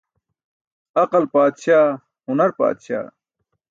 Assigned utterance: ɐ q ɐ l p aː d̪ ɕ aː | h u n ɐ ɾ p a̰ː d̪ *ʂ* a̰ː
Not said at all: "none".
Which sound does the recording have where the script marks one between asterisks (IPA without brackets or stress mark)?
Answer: ɕ